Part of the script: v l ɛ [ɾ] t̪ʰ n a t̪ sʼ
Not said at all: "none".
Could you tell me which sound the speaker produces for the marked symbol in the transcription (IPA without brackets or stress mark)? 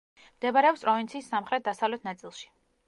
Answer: none